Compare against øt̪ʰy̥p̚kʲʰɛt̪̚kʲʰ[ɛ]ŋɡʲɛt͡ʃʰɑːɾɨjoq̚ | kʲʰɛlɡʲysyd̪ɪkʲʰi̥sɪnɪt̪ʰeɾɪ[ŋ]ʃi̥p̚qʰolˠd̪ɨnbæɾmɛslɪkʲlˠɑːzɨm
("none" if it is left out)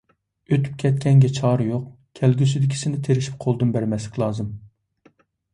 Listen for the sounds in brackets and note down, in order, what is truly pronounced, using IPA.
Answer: ɛ, none

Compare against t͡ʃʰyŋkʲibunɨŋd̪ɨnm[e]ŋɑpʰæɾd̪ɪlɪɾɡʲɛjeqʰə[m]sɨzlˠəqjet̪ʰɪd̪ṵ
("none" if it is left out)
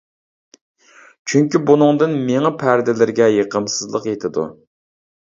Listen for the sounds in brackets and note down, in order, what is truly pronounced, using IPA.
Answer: e, m

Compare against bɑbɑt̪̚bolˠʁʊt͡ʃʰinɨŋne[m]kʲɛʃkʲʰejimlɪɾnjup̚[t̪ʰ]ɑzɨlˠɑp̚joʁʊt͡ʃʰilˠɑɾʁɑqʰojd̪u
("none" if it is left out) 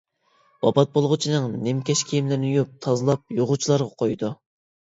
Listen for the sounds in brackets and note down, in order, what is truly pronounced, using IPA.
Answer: m, t̪ʰ

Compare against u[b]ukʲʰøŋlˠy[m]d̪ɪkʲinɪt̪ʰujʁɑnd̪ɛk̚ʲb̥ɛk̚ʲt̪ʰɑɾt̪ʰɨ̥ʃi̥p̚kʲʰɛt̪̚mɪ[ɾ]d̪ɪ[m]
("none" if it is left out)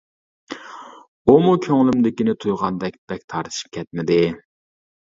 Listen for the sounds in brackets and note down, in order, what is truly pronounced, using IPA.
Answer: m, m, none, none

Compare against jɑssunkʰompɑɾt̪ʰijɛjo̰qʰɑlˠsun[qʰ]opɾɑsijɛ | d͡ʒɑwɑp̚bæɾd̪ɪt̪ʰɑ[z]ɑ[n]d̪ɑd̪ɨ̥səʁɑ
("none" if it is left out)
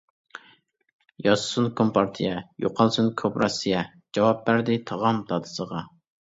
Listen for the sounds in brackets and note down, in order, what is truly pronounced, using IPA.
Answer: kʰ, ʁ, m

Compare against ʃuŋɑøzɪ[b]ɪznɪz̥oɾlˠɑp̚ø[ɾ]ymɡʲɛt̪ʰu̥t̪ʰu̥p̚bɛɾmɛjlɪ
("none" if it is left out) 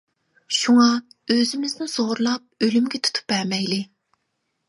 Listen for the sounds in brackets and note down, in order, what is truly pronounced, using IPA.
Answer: m, l

